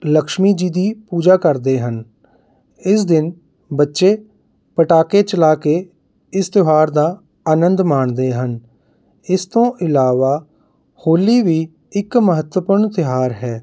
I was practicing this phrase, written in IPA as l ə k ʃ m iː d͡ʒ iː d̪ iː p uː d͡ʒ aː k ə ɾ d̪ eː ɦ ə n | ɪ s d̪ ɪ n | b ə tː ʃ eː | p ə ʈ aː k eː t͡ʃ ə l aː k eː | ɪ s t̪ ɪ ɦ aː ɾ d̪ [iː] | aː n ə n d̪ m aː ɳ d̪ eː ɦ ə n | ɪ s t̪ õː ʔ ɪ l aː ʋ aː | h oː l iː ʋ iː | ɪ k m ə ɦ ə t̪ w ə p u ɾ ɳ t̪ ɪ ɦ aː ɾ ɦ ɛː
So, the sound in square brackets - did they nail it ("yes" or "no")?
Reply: no